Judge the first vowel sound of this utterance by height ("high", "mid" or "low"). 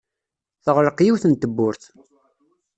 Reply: mid